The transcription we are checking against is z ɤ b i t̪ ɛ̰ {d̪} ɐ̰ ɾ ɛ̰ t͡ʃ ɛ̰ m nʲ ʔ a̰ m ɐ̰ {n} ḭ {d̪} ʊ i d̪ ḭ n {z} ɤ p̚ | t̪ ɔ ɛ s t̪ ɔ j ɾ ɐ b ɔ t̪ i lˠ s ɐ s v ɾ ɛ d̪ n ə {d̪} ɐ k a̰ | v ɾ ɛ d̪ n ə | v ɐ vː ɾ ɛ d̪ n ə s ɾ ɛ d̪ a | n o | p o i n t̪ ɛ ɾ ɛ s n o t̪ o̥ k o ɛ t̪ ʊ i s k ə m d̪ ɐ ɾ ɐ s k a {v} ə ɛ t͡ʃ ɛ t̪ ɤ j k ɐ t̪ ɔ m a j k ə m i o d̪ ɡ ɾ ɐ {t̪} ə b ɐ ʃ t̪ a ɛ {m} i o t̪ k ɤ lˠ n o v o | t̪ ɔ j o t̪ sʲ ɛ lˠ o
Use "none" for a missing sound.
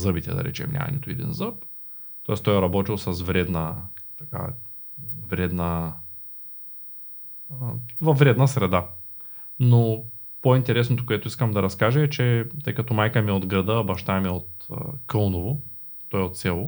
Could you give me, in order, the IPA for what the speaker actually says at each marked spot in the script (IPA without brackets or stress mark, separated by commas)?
d̪, n, t̪, z, t̪, ʒ, d̪, m